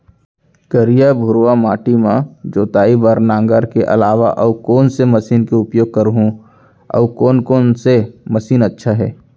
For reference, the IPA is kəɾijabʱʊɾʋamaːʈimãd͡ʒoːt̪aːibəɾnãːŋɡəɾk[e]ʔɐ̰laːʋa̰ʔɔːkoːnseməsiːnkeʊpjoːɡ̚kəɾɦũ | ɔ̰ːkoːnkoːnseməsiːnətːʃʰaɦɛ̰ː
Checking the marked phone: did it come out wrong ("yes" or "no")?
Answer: no